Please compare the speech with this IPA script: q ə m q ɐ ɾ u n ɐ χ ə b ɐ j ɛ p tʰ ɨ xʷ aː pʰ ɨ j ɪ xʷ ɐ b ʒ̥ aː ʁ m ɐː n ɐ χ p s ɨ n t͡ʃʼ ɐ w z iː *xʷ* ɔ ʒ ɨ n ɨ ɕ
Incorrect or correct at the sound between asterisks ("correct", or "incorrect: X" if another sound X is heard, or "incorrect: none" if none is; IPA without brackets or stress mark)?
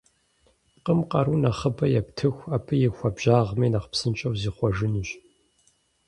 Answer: incorrect: χʷ